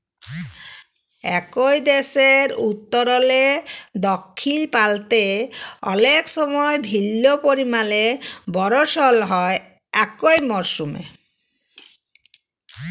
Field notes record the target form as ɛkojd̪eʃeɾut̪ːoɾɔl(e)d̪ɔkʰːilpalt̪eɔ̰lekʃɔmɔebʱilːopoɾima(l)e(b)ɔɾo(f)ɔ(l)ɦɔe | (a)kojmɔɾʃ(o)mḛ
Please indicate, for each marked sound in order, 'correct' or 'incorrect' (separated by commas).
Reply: correct, correct, correct, incorrect, correct, incorrect, incorrect